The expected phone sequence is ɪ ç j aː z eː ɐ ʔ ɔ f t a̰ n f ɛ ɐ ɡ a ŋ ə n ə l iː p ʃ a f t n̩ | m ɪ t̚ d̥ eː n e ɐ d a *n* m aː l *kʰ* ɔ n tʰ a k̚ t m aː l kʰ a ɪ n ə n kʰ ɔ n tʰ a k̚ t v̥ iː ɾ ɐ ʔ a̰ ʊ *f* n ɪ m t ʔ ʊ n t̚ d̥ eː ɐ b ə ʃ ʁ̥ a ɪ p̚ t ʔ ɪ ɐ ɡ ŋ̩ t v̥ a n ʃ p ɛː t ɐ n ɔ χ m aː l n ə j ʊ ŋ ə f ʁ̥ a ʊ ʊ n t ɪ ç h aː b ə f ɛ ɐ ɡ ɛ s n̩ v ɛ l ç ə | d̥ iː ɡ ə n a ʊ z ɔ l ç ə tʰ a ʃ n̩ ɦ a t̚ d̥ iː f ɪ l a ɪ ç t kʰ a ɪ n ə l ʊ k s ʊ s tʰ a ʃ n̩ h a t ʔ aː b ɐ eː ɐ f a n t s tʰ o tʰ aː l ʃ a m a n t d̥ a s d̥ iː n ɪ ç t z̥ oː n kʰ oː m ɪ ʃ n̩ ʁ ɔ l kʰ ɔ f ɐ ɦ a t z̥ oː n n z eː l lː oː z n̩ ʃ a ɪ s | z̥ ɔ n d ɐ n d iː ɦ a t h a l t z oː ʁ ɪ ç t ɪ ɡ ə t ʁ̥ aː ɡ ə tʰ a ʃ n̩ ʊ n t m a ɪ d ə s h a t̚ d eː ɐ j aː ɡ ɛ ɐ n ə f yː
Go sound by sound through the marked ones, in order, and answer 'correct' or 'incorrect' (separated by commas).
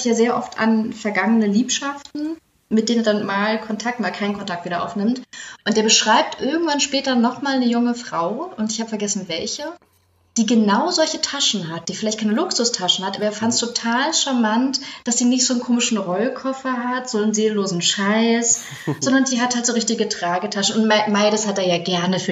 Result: correct, correct, correct